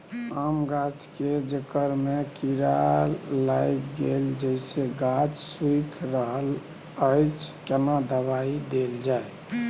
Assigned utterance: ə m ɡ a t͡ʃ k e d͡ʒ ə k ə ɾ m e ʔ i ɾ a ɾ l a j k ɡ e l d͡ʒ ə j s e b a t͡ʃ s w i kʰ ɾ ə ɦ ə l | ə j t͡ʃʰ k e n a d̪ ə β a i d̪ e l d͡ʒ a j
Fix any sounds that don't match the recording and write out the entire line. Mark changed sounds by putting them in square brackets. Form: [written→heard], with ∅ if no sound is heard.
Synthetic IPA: [ə→a] m ɡ a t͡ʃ k e d͡ʒ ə k ə ɾ m e [ʔ→k] i ɾ a ɾ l a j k ɡ e l d͡ʒ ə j s e [b→ɡ] a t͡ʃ s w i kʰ ɾ ə ɦ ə l | ə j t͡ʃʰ k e n a d̪ ə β a i d̪ e l d͡ʒ a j